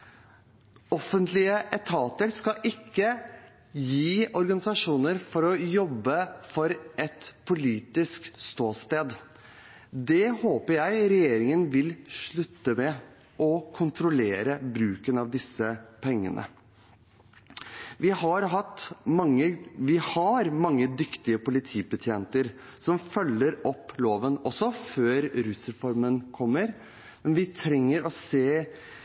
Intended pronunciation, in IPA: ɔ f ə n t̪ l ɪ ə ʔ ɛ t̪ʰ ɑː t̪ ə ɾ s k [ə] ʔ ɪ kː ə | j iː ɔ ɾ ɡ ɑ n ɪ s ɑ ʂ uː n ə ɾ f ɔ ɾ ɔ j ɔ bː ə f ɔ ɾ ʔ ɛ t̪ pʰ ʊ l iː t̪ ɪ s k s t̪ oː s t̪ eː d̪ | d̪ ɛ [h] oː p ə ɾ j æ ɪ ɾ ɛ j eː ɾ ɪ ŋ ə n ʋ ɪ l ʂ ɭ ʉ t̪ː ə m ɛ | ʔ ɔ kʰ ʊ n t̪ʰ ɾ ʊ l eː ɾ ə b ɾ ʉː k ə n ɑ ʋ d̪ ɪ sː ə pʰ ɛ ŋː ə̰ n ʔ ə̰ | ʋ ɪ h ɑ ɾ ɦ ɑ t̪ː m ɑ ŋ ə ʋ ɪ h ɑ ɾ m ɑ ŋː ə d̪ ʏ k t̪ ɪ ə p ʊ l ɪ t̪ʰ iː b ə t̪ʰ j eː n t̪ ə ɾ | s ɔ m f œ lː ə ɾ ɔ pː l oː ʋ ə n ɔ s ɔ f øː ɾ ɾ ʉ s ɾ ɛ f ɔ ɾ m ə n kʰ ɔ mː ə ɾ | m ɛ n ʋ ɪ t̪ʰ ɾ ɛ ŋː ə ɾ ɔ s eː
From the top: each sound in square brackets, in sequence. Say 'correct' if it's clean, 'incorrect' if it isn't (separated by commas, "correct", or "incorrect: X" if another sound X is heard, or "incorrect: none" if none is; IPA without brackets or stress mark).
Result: incorrect: ɑ, correct